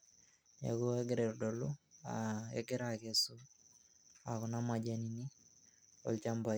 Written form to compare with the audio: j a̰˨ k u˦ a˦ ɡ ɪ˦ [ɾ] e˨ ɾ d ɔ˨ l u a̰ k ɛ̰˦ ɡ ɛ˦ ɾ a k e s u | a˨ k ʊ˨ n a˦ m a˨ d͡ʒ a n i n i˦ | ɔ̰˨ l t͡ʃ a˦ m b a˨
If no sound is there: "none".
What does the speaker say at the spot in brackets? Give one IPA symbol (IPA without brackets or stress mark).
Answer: ɾ